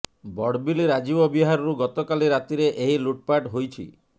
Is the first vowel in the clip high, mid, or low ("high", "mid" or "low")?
mid